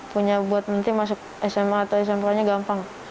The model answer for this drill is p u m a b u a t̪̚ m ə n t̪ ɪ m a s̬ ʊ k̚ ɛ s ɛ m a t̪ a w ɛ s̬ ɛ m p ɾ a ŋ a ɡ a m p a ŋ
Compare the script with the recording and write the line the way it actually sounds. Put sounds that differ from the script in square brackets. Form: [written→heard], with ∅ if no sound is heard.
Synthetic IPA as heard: p u [m→ɲ] a b u a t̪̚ m ə n t̪ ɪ m a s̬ ʊ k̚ ɛ s ɛ m a t̪ a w ɛ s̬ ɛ m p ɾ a [ŋ→ɲ] a ɡ a m p a ŋ